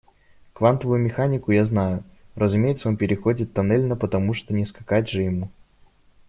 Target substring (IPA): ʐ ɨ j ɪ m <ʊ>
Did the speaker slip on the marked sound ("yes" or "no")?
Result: yes